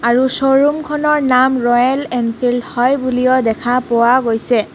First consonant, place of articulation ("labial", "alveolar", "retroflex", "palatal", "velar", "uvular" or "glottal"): alveolar